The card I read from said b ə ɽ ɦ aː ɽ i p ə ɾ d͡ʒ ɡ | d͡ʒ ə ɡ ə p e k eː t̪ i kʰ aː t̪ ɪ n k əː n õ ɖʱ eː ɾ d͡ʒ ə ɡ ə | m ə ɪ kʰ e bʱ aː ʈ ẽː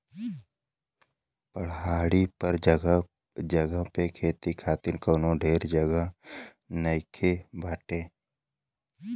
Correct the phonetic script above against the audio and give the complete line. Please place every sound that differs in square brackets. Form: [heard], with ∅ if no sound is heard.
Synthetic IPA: [p] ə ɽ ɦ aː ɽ i p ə ɾ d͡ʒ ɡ | d͡ʒ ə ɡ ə p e [kʰ] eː t̪ i kʰ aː t̪ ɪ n k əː n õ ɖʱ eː ɾ d͡ʒ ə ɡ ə | [n] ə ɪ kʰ e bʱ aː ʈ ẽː